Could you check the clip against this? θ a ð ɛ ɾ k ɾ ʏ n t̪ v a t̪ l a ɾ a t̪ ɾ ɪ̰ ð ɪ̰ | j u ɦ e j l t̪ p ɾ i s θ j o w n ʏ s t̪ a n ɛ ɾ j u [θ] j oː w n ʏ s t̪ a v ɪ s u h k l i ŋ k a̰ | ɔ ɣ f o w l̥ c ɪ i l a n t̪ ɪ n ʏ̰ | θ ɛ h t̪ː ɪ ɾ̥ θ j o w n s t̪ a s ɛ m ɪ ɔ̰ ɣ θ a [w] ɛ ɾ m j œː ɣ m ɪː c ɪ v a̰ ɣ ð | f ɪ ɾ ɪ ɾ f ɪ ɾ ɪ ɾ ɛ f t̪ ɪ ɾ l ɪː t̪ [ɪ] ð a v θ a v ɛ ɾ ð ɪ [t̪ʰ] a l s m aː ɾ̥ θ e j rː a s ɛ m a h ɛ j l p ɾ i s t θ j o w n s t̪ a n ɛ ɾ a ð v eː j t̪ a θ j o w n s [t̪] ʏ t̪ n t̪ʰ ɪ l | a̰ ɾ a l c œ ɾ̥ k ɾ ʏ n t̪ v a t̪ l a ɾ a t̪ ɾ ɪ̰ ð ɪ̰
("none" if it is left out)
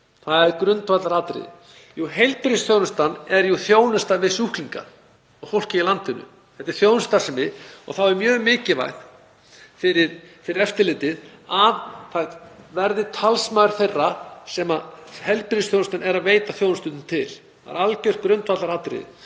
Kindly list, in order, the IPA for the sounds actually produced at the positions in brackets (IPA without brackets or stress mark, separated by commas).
θ, w, ɪ, t̪ʰ, t̪